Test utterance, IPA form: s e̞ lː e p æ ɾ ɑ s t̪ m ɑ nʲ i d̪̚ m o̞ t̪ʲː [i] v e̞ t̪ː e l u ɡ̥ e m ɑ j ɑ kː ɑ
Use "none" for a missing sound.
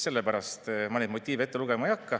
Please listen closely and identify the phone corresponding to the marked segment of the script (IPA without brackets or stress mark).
iː